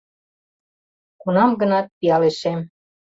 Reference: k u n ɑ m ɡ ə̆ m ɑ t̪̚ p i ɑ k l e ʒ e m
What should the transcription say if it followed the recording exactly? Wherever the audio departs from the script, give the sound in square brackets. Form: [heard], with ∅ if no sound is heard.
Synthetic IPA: k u n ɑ m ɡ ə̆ [n] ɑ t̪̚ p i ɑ [∅] l e [ʃ] e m